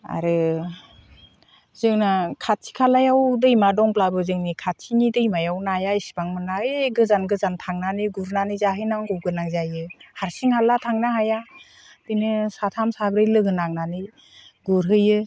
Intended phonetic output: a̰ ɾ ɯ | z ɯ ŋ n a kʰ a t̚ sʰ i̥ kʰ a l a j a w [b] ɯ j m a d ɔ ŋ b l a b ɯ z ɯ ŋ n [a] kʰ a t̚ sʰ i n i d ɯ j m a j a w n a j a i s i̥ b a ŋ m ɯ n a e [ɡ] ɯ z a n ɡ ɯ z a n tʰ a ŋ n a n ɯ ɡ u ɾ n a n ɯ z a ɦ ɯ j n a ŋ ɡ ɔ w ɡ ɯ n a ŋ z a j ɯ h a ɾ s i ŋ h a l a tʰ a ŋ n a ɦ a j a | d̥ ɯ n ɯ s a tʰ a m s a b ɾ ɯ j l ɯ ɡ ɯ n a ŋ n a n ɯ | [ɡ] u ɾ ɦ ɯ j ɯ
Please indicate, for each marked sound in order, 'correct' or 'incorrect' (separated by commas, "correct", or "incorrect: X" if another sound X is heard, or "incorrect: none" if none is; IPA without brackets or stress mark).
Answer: incorrect: d, incorrect: i, correct, correct